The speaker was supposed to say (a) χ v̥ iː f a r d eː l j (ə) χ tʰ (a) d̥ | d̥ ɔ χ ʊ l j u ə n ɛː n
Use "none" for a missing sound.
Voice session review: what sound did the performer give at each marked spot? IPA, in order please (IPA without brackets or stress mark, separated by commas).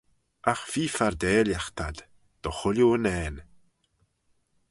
a, a, a